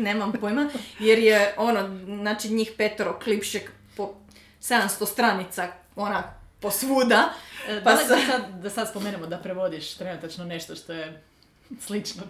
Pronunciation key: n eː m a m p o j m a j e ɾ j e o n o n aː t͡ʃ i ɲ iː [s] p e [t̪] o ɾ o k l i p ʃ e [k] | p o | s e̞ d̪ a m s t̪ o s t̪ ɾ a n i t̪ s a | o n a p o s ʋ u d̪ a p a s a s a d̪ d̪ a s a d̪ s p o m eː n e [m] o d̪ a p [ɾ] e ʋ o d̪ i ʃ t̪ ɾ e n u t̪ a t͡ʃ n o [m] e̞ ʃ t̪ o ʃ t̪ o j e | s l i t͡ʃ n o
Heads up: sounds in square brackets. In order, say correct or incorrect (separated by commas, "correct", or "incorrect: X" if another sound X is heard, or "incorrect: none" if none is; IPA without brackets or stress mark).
incorrect: x, correct, correct, correct, correct, incorrect: n